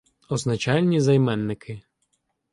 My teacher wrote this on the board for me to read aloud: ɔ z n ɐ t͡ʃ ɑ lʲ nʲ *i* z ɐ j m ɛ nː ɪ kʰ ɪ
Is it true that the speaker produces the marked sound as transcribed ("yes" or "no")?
yes